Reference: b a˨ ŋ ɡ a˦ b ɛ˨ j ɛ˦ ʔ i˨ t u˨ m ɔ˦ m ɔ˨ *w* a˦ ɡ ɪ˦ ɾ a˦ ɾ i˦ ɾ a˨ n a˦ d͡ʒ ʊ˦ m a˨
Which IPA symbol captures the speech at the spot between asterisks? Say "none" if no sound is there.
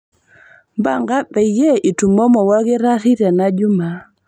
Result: w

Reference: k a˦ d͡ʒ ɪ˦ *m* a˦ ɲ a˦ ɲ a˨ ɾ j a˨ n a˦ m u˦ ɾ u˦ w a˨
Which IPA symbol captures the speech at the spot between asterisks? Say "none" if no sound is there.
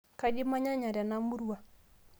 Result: m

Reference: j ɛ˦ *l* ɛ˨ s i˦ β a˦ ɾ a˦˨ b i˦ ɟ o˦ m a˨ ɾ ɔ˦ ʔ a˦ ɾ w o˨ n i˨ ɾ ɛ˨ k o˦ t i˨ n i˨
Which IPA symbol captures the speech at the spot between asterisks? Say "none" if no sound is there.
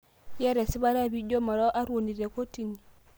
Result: ɾ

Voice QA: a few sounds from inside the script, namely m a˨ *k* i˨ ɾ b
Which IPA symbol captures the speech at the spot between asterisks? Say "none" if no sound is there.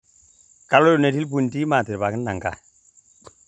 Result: t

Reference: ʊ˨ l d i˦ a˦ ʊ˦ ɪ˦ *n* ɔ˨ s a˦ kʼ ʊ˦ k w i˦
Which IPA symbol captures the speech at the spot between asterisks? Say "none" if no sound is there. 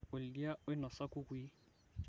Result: n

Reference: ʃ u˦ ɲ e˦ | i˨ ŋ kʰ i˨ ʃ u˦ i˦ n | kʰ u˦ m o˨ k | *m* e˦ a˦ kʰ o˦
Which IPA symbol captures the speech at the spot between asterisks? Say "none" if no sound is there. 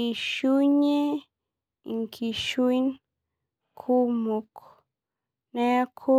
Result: n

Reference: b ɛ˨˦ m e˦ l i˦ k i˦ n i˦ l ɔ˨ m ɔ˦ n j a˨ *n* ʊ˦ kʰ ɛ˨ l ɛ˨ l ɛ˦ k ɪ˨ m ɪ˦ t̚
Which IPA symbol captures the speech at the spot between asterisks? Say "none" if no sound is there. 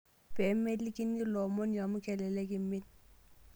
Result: m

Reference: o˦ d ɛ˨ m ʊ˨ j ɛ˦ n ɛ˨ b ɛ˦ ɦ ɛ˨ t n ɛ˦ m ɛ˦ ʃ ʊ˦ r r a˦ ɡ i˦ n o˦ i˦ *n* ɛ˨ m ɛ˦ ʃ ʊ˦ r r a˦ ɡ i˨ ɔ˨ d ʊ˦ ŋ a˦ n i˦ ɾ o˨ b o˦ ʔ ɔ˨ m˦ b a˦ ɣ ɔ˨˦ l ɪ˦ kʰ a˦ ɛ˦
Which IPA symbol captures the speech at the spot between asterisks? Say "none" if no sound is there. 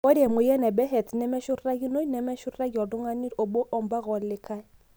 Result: n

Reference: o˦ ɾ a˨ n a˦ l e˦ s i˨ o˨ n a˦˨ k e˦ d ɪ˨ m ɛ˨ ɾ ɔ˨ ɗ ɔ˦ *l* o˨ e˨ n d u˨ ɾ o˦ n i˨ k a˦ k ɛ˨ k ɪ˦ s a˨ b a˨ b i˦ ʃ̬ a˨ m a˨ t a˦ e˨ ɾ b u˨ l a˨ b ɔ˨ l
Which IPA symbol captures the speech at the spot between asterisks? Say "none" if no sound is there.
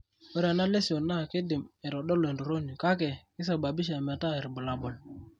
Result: l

